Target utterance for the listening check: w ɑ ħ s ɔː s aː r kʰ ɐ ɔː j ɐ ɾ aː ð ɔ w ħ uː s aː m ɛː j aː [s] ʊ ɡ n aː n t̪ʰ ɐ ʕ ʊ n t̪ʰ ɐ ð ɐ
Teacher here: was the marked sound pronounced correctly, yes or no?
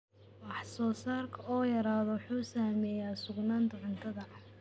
yes